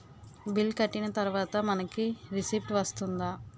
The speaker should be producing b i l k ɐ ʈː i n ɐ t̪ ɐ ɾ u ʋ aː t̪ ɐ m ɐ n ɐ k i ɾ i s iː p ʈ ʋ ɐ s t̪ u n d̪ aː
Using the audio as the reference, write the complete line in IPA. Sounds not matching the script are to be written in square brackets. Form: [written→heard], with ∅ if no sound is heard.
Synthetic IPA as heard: b i l k ɐ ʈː i n ɐ t̪ ɐ ɾ u ʋ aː t̪ ɐ m ɐ n ɐ k i ɾ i s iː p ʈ ʋ ɐ s t̪ u n d̪ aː